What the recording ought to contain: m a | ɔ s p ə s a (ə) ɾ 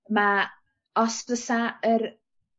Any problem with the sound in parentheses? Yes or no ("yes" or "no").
no